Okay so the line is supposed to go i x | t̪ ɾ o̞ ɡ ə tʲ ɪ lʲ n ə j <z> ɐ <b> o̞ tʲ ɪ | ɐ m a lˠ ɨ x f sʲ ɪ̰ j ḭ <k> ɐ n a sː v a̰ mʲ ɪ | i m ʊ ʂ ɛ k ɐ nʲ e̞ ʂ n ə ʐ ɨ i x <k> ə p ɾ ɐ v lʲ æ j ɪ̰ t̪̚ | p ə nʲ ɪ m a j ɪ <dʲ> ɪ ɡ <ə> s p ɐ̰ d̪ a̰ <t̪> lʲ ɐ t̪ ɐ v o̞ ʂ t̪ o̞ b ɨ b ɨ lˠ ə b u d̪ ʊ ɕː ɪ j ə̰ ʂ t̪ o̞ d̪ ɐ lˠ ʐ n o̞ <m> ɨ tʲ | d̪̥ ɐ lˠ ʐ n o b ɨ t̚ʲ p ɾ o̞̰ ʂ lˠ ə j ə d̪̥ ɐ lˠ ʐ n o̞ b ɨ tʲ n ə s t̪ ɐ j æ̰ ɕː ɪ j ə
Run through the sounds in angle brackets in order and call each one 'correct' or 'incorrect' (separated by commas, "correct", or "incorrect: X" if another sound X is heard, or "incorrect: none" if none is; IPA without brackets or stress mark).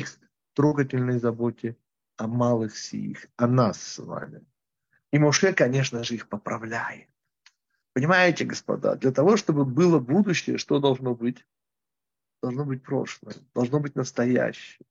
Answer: correct, correct, incorrect: x, incorrect: p, incorrect: tʲ, correct, incorrect: d̪, incorrect: b